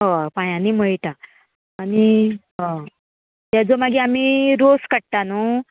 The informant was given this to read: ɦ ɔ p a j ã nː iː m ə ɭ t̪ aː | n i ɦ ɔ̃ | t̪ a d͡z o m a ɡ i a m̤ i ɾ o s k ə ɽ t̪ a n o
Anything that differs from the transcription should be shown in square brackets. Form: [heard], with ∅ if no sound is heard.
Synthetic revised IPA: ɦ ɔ p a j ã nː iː m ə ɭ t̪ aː | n i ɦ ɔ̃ | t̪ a d͡z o m a ɡ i a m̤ i ɾ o s k ə ɽ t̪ a n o